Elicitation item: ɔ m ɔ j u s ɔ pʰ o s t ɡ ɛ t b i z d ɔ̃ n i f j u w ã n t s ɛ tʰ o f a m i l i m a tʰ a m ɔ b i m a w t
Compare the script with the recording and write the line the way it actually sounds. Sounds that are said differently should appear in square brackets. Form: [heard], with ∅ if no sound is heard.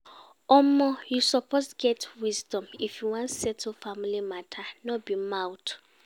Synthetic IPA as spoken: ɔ m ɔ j u s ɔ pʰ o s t ɡ ɛ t [w] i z d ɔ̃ [m] i f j u w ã n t s ɛ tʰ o f a m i l i m a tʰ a [n] ɔ b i m a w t